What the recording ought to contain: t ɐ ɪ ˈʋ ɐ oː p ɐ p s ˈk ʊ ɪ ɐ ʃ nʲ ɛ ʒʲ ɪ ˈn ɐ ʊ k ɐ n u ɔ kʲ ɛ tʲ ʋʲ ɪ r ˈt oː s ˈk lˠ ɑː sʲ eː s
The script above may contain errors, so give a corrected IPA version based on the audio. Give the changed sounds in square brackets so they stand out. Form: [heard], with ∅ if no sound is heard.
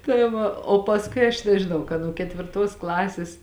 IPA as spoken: t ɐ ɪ ˈʋ ɐ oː p ɐ [∅] s ˈk ʊ ɪ ɐ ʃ nʲ ɛ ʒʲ ɪ ˈn ɐ ʊ k ɐ n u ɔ kʲ ɛ tʲ ʋʲ ɪ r ˈt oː s ˈk lˠ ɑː sʲ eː s